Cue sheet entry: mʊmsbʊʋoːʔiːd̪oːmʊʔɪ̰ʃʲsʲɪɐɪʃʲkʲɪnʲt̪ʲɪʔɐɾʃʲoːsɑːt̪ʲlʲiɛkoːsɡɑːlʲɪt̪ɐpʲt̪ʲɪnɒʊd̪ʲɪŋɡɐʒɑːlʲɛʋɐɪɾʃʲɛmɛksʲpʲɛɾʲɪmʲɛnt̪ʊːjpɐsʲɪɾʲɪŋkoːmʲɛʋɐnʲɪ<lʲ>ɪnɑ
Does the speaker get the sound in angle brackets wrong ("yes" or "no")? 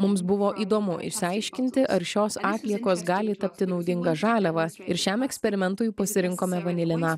no